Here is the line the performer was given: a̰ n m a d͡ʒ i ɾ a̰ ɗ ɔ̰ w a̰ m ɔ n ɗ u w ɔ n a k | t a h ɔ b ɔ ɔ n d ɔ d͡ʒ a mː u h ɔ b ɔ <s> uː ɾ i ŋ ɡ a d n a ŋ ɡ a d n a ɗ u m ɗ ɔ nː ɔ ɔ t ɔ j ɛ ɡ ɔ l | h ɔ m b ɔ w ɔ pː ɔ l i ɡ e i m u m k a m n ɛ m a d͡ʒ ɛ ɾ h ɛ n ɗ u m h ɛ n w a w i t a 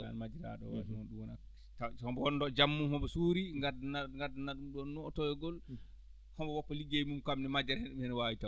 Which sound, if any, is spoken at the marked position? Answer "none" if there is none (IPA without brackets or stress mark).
s